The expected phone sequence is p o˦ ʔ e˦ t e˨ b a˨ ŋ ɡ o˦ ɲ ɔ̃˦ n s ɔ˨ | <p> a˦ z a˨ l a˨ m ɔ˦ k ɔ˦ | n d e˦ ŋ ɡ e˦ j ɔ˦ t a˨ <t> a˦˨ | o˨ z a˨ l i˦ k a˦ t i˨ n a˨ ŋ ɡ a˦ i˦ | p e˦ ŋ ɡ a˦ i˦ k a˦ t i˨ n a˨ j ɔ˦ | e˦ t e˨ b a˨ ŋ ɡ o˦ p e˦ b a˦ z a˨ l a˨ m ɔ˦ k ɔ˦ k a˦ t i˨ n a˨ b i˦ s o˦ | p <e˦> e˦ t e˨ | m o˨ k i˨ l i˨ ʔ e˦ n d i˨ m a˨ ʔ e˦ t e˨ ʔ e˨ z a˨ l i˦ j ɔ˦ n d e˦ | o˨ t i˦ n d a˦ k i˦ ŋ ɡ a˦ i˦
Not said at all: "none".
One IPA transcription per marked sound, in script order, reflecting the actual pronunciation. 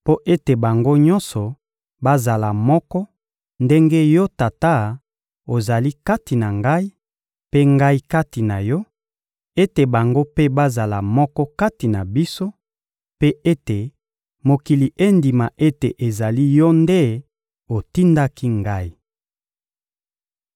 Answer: b, t, e˦

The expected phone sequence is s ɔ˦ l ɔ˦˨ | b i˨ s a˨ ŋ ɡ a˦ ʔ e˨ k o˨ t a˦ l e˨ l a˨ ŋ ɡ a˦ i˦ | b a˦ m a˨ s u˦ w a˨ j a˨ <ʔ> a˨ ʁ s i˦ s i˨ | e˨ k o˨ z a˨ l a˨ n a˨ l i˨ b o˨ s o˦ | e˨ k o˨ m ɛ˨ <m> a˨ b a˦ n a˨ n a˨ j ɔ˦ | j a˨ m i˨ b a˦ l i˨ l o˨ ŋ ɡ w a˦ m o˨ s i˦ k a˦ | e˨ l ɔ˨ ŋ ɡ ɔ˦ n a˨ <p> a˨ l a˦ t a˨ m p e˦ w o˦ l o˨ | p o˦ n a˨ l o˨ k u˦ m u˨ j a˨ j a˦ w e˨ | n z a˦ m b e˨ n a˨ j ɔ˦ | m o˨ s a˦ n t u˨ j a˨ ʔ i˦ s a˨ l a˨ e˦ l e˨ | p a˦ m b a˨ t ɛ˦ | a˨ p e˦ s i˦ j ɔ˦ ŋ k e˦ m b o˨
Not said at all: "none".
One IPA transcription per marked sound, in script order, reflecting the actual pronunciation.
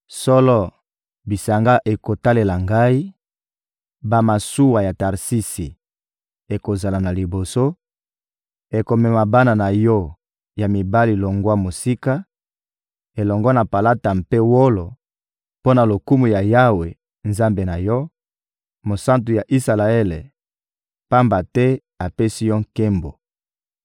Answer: t, m, p

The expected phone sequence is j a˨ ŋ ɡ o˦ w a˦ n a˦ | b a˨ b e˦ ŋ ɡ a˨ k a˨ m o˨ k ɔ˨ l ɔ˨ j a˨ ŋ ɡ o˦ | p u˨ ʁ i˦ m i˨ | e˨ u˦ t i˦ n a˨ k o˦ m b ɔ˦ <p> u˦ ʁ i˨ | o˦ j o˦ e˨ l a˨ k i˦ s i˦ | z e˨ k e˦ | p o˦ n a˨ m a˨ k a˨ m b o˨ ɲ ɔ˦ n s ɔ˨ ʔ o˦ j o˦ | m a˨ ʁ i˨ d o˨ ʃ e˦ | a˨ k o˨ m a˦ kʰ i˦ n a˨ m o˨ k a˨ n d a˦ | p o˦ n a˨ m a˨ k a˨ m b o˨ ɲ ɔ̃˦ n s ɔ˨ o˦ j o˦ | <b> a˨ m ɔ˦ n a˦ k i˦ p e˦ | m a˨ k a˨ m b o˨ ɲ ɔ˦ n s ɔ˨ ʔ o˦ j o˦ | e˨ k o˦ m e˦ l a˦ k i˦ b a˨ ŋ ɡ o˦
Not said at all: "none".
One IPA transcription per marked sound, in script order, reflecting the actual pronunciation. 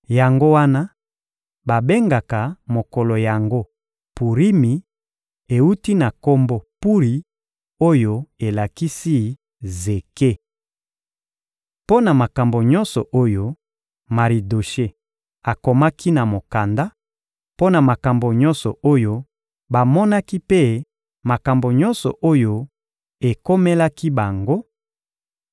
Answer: p, b

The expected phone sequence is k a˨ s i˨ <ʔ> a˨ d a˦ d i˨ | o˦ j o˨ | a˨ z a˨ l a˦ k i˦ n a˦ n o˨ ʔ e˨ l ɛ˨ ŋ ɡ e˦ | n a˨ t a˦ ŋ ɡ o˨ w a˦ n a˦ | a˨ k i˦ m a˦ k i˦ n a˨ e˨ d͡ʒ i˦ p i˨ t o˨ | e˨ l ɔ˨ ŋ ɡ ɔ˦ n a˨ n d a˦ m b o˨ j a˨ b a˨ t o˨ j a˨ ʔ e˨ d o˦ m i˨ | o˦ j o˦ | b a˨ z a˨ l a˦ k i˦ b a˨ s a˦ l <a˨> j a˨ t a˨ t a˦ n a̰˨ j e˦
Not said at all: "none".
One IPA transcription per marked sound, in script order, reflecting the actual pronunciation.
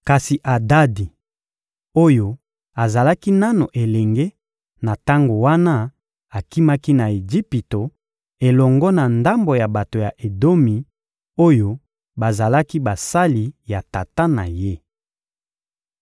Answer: ʔ, i˨

